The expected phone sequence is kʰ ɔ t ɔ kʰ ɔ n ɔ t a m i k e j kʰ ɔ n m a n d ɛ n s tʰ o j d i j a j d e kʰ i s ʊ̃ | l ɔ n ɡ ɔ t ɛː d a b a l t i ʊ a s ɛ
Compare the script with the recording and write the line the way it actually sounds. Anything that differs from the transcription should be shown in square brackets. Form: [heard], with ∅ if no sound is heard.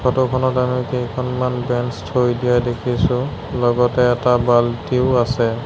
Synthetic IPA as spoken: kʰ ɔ t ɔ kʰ ɔ n ɔ t a m i k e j kʰ ɔ n m a n [b] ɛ n s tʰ o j d i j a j d e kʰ i s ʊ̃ | l ɔ [∅] ɡ ɔ t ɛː [t] a b a l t i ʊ a s ɛ